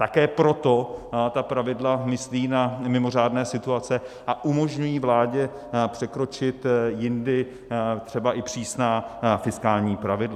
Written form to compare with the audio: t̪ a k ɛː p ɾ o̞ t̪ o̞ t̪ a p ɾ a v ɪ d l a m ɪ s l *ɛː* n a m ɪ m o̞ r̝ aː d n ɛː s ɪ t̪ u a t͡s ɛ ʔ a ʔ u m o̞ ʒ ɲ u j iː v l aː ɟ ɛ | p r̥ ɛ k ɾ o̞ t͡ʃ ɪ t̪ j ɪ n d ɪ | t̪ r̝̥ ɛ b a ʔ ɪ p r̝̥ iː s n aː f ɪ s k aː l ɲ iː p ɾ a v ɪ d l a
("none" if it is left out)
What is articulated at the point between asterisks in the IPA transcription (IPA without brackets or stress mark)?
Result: iː